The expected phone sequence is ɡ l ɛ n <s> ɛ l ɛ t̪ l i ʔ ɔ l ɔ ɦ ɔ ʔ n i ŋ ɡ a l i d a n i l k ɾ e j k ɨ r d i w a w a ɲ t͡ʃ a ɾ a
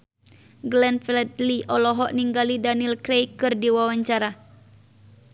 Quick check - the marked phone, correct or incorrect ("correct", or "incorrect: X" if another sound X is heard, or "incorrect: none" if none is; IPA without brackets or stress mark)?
incorrect: f